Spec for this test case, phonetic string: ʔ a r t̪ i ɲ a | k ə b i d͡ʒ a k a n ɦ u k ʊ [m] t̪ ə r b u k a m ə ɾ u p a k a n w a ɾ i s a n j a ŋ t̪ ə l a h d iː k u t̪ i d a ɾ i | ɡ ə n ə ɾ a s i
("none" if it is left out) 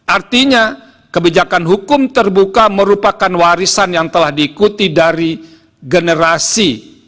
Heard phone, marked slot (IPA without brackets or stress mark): m